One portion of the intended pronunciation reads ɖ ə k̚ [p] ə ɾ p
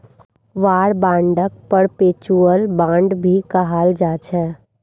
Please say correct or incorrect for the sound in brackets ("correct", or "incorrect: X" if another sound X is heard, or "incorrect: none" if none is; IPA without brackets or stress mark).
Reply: correct